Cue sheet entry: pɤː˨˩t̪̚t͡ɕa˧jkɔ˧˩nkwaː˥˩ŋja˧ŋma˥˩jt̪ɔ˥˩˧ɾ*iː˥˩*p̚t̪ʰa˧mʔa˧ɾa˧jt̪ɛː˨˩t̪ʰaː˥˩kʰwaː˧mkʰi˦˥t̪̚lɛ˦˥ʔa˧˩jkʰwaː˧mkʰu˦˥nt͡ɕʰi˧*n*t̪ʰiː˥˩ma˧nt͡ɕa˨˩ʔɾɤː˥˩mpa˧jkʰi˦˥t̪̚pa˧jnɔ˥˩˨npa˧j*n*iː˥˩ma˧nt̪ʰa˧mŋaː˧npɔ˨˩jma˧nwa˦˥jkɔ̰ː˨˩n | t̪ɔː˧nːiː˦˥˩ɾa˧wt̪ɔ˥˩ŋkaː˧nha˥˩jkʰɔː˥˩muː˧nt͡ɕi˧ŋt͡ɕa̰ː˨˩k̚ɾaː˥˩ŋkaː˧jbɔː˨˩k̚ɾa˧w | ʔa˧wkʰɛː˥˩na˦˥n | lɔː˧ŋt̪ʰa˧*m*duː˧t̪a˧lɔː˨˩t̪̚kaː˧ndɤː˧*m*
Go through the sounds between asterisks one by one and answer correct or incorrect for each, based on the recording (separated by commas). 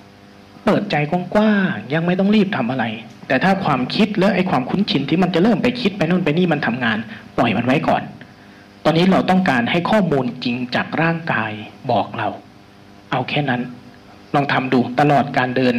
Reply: correct, correct, correct, correct, incorrect